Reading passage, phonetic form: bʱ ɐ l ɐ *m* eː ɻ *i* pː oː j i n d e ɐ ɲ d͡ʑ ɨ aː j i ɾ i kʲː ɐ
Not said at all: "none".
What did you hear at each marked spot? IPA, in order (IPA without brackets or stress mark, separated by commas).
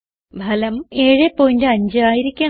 m, e